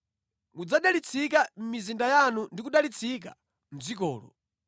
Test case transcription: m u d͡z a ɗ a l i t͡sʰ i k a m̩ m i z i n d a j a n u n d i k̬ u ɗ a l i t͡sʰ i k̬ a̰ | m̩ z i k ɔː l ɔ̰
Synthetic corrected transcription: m u d͡z a ɗ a l i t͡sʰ i k a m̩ m i z i n d a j a n u n d i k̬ u ɗ a l i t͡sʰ i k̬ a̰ | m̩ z i k ɔː l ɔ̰

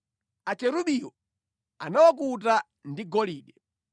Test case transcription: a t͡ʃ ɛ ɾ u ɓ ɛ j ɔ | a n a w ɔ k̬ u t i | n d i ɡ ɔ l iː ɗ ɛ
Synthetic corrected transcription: a t͡ʃ ɛ ɾ u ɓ i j ɔ | a n a w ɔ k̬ u t a | n d i ɡ ɔ l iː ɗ ɛ

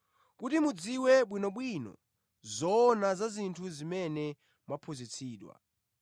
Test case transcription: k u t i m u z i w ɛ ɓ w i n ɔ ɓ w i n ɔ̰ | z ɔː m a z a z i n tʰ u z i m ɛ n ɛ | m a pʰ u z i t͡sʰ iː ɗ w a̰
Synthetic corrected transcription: k u t i m u d͡z i w ɛ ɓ w i n ɔ ɓ w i n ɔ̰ | z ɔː n a z a z i n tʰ u z i m ɛ n ɛ | m a pʰ u z i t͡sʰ iː ɗ w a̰

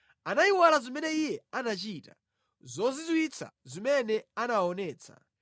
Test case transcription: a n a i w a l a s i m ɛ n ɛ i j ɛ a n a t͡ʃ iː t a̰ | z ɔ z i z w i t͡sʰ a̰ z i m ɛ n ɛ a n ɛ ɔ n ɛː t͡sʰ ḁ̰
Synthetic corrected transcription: a n a i w a l a z i m ɛ n ɛ i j ɛ a n a t͡ʃ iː t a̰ | z ɔ z i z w i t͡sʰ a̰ z i m ɛ n ɛ a n a ɔ n ɛː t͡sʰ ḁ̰

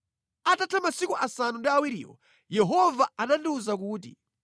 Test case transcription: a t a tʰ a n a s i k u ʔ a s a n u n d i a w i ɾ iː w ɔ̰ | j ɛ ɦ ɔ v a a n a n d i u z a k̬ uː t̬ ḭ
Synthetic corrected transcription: a t a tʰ a m a s i k u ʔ a s a n u n d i a w i ɾ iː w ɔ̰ | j ɛ ɦ ɔ v a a n a n d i u z a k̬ uː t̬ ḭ

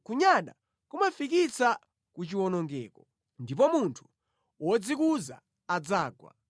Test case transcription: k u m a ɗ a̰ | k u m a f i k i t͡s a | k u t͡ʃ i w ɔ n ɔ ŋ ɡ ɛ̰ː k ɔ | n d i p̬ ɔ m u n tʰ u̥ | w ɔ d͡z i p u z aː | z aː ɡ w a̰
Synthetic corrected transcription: k u ɲ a ɗ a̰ | k u m a f i k i t͡s a | k u t͡ʃ i w ɔ n ɔ ŋ ɡ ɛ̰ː k ɔ | n d i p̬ ɔ m u n tʰ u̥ | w ɔ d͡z i k u z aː | d͡z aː ɡ w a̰

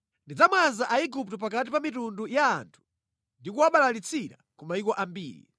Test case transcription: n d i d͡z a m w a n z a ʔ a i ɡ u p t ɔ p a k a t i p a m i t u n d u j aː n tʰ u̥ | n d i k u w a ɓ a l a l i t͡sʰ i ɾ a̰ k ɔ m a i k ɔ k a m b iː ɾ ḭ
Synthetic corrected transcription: n d i d͡z a m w a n z a ʔ a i ɡ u p t ɔ p a k a t i p a m i t u n d u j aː n tʰ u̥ | n d i k u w a ɓ a l a l i t͡sʰ i ɾ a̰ k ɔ m a i k ɔ ʔ a m b iː ɾ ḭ

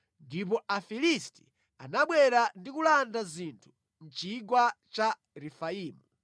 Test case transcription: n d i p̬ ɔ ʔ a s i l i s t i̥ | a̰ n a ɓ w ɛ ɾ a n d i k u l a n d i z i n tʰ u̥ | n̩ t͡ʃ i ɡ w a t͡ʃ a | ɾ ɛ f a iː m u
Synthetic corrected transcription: n d i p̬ ɔ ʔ a f i l i s t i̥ | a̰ n a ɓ w ɛ ɾ a n d i k u l a n d a z i n tʰ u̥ | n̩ t͡ʃ i ɡ w a t͡ʃ a | ɾ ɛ f a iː m u

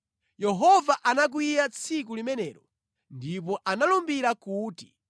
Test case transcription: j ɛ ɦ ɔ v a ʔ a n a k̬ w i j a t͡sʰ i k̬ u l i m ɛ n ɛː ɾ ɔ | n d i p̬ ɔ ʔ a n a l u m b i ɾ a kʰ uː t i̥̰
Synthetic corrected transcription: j ɛ ɦ ɔ v a ʔ a n a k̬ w i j a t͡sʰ i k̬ u l i m ɛ n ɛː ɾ ɔ | n d i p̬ ɔ ʔ a n a l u m b i ɾ a k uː t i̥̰

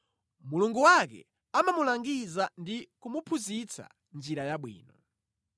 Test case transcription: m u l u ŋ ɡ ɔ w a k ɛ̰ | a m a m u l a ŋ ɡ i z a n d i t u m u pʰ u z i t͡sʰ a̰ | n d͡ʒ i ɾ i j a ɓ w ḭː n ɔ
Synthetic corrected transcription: m u l u ŋ ɡ u w a k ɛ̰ | a m a m u l a ŋ ɡ i z a n d i k u m u pʰ u z i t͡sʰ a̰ | n d͡ʒ i ɾ a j a ɓ w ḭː n ɔ

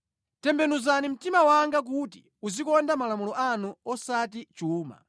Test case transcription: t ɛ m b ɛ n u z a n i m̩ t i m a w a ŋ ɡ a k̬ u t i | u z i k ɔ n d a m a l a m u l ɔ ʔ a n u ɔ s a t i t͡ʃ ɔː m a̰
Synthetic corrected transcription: t ɛ m b ɛ n u z a n i m̩ t i m a w a ŋ ɡ a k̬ u t i | u z i k ɔ n d a m a l a m u l ɔ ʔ a n u ɔ s a t i t͡ʃ uː m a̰

